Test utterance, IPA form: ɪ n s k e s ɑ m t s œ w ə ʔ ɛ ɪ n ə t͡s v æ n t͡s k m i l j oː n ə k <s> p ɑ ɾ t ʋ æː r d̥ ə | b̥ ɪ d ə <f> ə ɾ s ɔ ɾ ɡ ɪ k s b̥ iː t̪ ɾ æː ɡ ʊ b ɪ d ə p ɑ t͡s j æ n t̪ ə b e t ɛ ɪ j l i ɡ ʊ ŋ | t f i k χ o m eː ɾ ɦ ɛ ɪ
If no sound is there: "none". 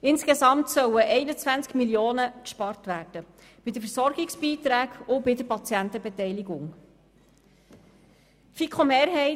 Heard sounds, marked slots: ʃ, f

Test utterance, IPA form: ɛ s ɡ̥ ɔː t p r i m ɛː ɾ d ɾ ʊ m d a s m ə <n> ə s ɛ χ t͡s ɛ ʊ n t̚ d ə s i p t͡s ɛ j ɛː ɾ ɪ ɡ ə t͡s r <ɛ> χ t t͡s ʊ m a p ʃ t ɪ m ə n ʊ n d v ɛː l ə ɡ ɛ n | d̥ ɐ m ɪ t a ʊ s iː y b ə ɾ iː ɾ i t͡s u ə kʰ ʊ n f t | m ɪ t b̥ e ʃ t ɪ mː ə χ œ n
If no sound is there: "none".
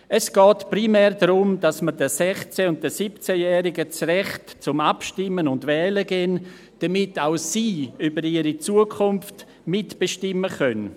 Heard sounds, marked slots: d, ɛ

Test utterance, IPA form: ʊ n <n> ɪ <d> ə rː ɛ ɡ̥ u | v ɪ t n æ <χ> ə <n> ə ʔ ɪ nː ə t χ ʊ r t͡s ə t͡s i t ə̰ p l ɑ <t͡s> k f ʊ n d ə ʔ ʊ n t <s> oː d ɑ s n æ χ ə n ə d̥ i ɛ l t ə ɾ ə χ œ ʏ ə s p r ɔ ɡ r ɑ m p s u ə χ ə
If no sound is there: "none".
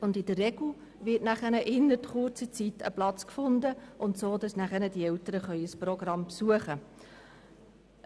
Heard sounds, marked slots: d, d, χ, n, t͡s, s

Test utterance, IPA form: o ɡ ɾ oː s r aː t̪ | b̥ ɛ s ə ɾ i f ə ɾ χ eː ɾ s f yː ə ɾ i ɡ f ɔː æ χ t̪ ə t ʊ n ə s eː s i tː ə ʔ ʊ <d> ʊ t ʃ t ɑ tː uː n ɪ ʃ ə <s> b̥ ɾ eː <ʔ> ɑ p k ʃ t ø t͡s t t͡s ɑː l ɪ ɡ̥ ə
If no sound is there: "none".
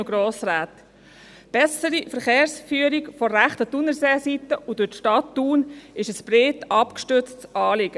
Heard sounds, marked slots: d, s, t

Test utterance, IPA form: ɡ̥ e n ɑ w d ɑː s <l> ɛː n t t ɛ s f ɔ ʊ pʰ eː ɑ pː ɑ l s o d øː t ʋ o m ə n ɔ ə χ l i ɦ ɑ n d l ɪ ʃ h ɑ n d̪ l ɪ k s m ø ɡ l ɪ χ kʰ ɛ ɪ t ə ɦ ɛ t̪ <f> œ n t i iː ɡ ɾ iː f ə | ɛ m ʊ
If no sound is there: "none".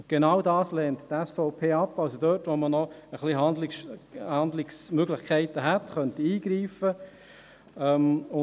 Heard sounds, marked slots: l, χ

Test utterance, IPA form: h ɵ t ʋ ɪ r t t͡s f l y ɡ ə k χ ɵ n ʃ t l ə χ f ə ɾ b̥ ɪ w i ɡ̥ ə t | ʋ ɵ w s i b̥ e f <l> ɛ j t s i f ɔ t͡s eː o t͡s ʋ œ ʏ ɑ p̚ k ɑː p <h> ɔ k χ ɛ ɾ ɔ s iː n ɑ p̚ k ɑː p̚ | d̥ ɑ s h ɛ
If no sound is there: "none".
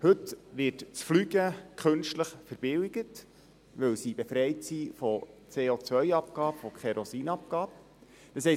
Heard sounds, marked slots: ɾ, f

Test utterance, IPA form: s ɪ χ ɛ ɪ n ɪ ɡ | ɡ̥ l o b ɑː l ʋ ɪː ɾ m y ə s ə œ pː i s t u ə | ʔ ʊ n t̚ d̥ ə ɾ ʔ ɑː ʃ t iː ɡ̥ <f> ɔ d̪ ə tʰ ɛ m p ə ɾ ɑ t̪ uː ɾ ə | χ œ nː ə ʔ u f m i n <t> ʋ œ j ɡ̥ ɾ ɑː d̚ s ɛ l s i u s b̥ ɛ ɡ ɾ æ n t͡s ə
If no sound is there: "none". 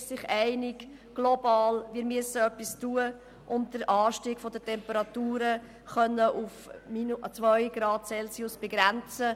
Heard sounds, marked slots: f, t͡s

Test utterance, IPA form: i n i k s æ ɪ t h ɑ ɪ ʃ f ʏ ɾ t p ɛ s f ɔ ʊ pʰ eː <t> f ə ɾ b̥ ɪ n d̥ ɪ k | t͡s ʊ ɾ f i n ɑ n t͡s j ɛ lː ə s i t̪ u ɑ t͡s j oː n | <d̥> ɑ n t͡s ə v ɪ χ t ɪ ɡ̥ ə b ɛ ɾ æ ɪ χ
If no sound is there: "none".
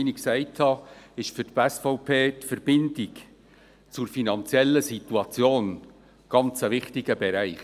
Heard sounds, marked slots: t, ɡ̥

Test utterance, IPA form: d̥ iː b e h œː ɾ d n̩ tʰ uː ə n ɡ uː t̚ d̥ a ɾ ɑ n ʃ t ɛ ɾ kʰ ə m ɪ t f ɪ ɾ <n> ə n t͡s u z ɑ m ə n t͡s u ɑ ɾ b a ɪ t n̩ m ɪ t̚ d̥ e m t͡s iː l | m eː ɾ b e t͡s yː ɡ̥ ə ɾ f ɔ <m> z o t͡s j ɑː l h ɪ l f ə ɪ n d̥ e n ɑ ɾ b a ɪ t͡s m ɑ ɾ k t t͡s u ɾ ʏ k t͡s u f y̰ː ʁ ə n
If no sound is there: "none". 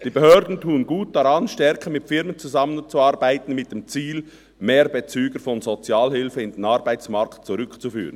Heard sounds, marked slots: m, n

